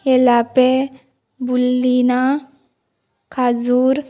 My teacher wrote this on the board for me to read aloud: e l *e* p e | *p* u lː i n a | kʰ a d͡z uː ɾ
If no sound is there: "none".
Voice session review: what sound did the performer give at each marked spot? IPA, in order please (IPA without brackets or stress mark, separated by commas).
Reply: a, b